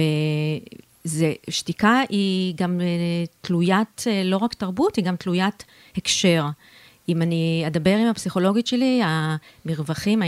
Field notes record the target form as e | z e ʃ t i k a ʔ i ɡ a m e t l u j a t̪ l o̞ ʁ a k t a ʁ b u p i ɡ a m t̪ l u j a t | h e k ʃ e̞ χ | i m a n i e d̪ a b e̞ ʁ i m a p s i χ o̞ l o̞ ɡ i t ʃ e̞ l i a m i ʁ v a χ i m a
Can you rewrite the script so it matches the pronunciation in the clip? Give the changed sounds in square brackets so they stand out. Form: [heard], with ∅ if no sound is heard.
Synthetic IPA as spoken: e | z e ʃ t i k a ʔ i ɡ a m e t l u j a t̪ l o̞ ʁ a k t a ʁ b u [t] i ɡ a m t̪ l u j a t | h e k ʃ e̞ [ʁ] | i m a n i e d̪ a b e̞ ʁ i m a p s i χ o̞ l o̞ ɡ i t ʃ e̞ l i a m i ʁ v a χ i m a